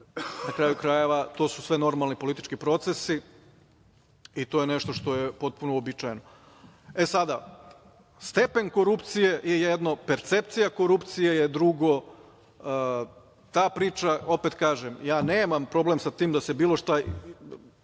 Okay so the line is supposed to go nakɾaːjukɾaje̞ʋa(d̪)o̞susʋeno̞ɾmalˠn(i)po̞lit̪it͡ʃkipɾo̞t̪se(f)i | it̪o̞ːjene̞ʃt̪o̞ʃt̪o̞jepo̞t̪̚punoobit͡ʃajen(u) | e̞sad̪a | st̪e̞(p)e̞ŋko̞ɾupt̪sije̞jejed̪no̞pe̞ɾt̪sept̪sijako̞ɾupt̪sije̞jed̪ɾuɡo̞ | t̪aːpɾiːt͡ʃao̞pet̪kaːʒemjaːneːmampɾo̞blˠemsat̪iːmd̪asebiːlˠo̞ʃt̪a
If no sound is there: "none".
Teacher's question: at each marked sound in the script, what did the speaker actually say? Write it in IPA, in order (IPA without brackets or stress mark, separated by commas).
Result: t̪, i, s, o, p